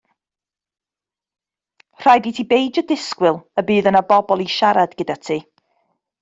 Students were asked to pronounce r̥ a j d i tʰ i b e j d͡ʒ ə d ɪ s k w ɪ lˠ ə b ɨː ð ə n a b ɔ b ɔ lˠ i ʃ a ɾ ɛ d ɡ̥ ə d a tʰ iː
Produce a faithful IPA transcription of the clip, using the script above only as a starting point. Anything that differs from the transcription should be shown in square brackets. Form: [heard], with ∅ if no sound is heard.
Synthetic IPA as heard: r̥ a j d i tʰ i b e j d͡ʒ ə d ɪ s k w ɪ lˠ ə b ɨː ð ə n a b ɔ b ɔ lˠ i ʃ a ɾ [a] d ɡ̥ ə d a tʰ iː